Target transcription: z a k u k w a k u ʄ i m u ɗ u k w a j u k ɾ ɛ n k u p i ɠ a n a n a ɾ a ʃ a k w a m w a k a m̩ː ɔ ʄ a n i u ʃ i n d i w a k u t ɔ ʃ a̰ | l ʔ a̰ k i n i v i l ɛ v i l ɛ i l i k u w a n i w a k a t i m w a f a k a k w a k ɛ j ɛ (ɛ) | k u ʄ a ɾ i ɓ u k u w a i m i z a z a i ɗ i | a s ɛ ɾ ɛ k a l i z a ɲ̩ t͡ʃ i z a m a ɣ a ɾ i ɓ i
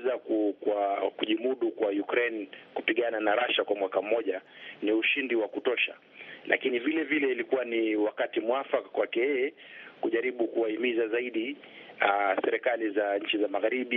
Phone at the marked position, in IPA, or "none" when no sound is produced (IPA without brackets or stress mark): ɛ